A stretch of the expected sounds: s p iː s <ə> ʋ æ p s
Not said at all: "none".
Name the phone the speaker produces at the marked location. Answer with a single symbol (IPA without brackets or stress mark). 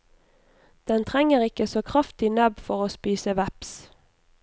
ə